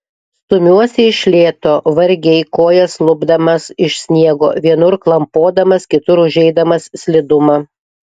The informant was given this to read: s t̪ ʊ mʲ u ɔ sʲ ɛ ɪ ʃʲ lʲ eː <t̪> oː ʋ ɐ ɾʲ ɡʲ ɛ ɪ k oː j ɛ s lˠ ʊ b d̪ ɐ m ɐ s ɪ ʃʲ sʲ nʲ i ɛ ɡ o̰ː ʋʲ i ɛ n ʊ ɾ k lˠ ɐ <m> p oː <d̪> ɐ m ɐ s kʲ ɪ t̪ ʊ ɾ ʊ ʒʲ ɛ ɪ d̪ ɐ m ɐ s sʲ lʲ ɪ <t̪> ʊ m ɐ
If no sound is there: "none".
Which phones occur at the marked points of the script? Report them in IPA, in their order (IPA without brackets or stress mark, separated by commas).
t̪, m, d̪, d̪